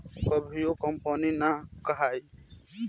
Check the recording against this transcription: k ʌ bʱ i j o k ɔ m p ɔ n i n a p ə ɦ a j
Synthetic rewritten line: k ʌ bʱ i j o k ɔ m p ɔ n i n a k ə ɦ a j

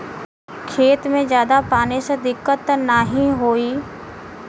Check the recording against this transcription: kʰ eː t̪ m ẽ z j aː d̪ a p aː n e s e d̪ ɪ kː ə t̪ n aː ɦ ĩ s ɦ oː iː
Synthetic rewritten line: kʰ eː t̪ m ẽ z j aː d̪ a p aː n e s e d̪ ɪ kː ə t̪ n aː ɦ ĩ ɦ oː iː

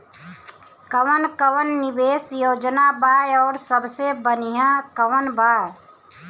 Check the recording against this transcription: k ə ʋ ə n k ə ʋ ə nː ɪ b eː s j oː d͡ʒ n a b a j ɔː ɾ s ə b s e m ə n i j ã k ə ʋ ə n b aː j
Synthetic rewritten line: k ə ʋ ə n k ə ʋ ə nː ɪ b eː s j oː d͡ʒ n a b a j ɔː ɾ s ə b s e b ə n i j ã k ə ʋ ə n b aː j

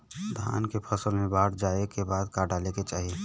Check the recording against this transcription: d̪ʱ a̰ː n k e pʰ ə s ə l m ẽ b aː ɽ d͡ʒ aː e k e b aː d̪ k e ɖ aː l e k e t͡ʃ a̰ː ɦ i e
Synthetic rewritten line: d̪ʱ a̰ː n k e pʰ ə s ə l m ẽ b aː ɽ d͡ʒ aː e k e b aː d̪ k a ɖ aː l e k e t͡ʃ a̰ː ɦ i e

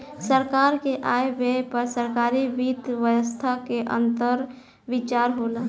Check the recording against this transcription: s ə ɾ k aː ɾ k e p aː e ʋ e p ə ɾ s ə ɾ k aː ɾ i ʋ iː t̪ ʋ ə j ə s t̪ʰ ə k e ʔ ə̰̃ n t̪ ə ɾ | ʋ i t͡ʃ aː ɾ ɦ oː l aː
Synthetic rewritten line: s ə ɾ k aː ɾ k e ʔ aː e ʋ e p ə ɾ s ə ɾ k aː ɾ i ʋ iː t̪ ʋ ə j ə s t̪ʰ a k e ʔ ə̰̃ n t̪ ə ɾ | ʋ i t͡ʃ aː ɾ ɦ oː l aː

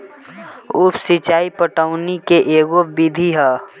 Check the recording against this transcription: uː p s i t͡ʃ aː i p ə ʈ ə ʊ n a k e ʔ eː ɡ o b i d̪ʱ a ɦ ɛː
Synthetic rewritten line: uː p s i t͡ʃ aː i p ə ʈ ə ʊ n i k e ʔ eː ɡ o b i d̪ʱ i ɦ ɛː

